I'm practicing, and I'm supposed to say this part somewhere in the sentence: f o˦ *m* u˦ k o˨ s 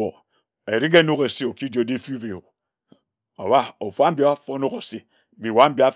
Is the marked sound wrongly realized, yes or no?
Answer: yes